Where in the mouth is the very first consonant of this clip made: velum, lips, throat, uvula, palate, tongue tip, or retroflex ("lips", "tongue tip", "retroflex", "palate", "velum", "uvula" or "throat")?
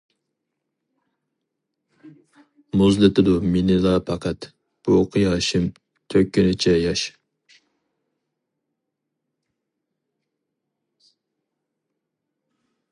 lips